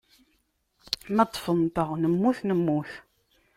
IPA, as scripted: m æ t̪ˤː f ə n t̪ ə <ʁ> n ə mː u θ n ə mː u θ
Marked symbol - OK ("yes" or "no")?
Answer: yes